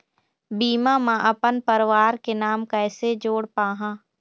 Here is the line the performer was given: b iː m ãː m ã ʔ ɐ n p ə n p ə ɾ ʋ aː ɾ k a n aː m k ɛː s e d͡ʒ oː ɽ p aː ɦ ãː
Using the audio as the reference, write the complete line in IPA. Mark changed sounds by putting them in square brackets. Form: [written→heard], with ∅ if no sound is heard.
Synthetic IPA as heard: b iː m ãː m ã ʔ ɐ [n→∅] p ə n p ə ɾ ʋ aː ɾ k [a→e] n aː m k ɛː s e d͡ʒ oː ɽ p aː ɦ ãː